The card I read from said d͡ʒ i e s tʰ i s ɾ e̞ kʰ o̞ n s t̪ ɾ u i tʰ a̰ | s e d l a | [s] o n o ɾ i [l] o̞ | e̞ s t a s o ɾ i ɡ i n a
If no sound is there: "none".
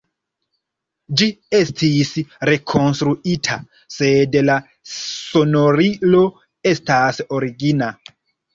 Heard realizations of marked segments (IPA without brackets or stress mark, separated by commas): s, l